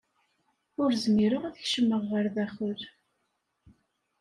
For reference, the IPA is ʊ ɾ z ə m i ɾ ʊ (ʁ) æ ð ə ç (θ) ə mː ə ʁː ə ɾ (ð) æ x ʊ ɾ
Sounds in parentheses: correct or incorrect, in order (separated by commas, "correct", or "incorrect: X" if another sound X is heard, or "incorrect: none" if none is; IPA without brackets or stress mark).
correct, incorrect: ʃ, correct